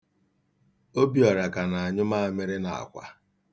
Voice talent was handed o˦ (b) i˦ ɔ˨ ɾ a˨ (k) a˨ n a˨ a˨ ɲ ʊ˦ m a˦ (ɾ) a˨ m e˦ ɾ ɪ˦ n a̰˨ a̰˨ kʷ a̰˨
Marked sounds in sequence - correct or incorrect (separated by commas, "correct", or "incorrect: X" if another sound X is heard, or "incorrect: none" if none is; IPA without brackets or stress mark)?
correct, correct, incorrect: none